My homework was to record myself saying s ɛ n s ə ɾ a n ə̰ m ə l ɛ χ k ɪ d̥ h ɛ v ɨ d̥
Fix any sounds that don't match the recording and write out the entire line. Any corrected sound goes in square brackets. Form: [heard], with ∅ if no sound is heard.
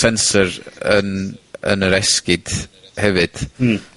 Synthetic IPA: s ɛ n s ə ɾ [ə] n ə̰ [n] ə [ɾ] ɛ [s] k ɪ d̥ h ɛ v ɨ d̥